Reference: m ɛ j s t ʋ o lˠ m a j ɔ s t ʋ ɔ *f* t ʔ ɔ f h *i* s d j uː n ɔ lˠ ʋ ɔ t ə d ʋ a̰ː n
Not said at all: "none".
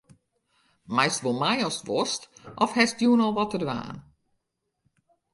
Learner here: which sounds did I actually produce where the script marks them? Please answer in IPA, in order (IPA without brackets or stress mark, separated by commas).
s, ɛ